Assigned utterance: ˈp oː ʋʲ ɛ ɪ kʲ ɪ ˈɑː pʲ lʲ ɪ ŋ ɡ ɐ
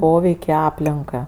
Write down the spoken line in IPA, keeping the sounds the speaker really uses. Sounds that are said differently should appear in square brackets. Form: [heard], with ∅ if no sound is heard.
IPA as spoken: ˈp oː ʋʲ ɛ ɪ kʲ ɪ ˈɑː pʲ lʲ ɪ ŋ [k] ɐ